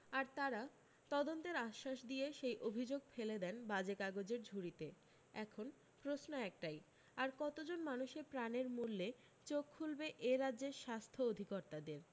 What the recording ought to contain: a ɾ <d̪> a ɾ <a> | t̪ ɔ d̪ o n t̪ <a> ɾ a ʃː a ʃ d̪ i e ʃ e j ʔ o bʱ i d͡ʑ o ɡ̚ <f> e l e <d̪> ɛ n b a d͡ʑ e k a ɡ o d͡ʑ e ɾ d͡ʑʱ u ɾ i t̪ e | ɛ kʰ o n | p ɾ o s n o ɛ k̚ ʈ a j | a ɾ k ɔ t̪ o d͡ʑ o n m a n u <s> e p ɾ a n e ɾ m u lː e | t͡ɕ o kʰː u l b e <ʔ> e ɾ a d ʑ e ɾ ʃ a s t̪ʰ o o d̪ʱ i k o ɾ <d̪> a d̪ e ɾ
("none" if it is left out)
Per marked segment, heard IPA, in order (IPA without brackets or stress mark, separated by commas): t̪, a, e, f, d̪, ʃ, ʔ, t̪